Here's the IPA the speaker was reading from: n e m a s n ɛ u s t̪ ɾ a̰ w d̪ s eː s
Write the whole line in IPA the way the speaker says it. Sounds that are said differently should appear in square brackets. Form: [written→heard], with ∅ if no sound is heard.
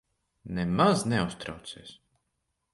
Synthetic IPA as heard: n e m a [s→z] n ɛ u s t̪ ɾ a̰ w [d̪→t̪] s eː s

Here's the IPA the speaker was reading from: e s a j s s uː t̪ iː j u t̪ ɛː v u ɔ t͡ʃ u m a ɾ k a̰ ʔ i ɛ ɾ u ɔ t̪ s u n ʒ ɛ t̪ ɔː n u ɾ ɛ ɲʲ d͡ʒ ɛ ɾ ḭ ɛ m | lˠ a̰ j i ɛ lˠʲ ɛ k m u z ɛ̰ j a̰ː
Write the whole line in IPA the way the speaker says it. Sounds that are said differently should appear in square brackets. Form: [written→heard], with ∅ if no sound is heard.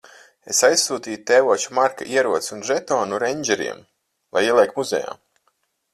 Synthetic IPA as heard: e s a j s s uː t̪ iː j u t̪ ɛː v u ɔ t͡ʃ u m a ɾ k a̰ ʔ i ɛ ɾ u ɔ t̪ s u n ʒ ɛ t̪ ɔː n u ɾ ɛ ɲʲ d͡ʒ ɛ ɾ ḭ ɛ m | lˠ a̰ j i ɛ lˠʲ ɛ k m u z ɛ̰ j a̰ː

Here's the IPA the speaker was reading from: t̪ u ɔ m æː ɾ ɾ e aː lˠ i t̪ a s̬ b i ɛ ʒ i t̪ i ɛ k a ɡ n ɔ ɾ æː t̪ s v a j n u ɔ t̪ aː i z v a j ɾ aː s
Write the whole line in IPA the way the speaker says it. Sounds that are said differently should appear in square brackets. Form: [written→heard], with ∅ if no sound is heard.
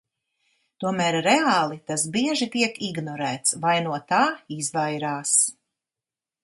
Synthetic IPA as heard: t̪ u ɔ m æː ɾ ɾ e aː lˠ i t̪ a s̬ b i ɛ ʒ i t̪ i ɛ k [a→i] ɡ n ɔ ɾ æː t̪ s v a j n u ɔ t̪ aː i z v a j ɾ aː s

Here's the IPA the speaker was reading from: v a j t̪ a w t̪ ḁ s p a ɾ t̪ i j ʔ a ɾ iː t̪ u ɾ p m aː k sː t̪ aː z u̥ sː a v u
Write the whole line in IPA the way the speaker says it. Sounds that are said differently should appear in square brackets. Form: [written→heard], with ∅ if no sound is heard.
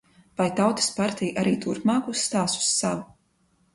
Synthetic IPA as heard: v a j t̪ a w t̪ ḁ s p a ɾ t̪ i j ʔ a ɾ iː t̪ u ɾ p m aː k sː t̪ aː [z→s] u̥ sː a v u

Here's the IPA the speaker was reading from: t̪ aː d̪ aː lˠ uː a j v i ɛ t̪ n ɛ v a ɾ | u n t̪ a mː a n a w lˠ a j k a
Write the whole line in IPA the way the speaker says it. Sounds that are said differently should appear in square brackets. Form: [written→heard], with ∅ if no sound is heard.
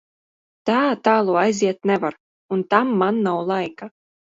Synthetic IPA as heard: t̪ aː [d̪→t̪] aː lˠ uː a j [v→z] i ɛ t̪ n ɛ v a ɾ | u n t̪ a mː a [n→nː] a w lˠ a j k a

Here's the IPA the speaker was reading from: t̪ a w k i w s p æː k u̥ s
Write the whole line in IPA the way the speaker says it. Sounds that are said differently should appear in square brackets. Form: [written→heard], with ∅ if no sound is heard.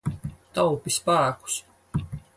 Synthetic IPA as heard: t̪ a w [k→p] i [w→∅] s p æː k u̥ s

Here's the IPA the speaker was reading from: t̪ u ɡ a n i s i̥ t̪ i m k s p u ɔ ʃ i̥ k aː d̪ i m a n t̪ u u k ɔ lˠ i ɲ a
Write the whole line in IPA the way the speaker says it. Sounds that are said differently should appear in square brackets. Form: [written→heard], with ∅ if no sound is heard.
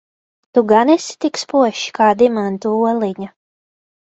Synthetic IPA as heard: t̪ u ɡ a n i s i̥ t̪ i [m→∅] k s p u ɔ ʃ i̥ k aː d̪ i m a n t̪ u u [k→∅] ɔ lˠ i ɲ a

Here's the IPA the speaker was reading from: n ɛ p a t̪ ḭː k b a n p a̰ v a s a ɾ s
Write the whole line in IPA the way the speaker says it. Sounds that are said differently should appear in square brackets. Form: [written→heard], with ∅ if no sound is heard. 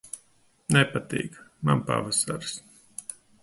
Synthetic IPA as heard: n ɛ p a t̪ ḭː k [b→m] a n p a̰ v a s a ɾ s

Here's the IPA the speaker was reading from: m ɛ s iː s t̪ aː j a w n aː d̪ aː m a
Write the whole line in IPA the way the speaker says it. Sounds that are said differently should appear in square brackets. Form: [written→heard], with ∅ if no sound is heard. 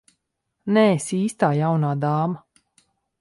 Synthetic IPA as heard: [m→n] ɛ s iː s t̪ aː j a w n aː d̪ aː m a

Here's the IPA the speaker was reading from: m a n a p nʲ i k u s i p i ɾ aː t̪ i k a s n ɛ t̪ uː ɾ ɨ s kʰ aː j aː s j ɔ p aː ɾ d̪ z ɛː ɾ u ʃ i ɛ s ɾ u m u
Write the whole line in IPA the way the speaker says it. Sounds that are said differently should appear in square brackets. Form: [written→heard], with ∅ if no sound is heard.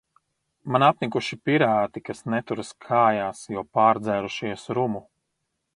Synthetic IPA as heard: m a n a p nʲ i k u [s→ʃ] i p i ɾ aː t̪ i k a s n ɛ t̪ [uː→u] ɾ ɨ s kʰ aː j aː s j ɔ p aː ɾ d̪ z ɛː ɾ u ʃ i ɛ s ɾ u m u

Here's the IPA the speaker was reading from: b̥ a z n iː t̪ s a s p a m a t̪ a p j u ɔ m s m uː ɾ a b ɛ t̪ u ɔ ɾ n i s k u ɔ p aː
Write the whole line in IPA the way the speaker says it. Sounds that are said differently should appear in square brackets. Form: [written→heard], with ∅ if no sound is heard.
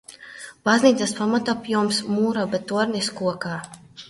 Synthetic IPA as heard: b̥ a z n iː t̪ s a s p a m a t̪ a p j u ɔ m s m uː ɾ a b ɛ t̪ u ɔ ɾ n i s k u ɔ [p→k] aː

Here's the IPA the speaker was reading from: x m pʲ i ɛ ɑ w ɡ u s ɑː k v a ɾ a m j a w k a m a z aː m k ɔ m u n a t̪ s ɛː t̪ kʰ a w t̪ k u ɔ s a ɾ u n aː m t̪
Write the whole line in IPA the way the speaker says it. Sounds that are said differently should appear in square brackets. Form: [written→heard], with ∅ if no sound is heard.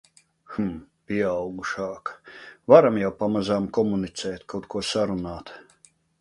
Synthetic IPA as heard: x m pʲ i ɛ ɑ w ɡ u [s→ʃ] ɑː k v a ɾ a m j a w [k→p] a m a z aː m k ɔ m u n [a→i] t̪ s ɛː t̪ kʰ a w t̪ k u ɔ s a ɾ u n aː [m→∅] t̪

